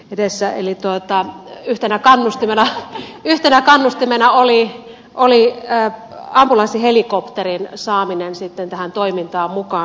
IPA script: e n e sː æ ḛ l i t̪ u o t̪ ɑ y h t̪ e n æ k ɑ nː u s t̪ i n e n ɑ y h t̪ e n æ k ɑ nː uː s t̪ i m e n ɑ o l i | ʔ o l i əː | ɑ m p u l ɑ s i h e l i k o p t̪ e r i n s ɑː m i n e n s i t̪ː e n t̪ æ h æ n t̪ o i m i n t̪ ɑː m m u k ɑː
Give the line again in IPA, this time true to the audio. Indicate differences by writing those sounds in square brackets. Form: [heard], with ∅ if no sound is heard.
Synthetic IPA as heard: e [d] e sː æ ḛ l i t̪ u o t̪ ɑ y h t̪ e n æ k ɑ nː u s t̪ i [m] e n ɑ y h t̪ e n æ k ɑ nː [u] s t̪ i m e n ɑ o l i | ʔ o l i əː | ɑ m p u l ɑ s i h e l i k o p t̪ e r i n s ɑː m i n e n s i t̪ː e n t̪ æ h æ n t̪ o i m i n t̪ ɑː m m u k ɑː